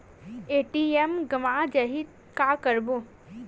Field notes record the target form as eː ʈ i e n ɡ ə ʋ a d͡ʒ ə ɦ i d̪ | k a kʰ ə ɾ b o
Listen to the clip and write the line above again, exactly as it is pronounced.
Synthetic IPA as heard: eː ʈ i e m ɡ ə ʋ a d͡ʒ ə ɦ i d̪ | k a k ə ɾ b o